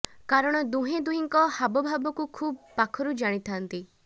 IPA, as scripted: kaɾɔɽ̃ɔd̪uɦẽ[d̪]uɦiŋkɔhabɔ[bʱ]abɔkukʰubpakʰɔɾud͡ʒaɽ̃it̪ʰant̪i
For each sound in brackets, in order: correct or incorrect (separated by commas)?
correct, correct